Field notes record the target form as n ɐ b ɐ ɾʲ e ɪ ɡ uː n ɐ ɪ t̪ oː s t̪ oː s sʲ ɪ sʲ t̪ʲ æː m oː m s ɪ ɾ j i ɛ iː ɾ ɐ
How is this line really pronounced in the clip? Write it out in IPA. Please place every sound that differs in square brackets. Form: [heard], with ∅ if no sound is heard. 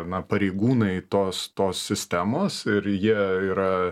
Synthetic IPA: n ɐ [p] ɐ ɾʲ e ɪ ɡ uː n ɐ ɪ t̪ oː s t̪ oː s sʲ ɪ sʲ t̪ʲ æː m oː [∅] s ɪ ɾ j i ɛ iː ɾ ɐ